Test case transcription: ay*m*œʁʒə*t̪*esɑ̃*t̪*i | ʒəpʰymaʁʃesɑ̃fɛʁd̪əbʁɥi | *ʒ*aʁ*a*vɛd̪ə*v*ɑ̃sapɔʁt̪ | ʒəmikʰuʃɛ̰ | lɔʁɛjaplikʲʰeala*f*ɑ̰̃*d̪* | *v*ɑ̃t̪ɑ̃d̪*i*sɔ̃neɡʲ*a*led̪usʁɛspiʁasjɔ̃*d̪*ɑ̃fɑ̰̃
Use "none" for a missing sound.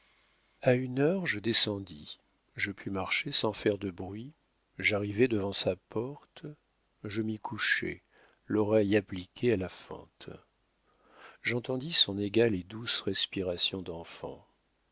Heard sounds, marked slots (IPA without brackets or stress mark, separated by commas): n, d̪, d̪, ʒ, i, v, f, t̪, ʒ, i, a, d̪